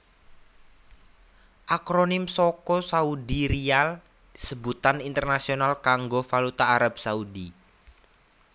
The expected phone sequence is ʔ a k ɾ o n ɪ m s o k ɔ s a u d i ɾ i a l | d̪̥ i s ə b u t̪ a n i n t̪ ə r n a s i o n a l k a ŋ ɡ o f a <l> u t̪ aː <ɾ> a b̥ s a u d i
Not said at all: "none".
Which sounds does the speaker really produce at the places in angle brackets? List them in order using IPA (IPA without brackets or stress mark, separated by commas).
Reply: l, ɾ